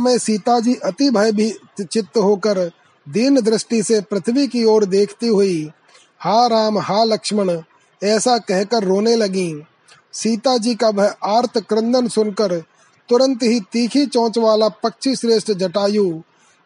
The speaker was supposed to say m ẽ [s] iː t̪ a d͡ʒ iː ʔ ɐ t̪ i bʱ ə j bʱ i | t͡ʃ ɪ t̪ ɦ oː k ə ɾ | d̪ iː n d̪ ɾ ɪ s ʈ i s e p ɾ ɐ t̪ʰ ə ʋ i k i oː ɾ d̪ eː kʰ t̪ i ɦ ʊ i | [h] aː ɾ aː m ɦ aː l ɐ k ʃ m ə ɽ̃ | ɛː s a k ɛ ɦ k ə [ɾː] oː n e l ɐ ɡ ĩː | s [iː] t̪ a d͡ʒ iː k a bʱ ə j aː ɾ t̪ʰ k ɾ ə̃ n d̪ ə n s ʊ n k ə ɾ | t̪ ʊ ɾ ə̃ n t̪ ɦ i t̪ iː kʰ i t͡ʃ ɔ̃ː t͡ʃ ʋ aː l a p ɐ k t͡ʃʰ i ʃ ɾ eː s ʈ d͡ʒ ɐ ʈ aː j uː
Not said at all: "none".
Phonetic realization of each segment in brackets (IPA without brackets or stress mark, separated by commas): s, h, ɾː, iː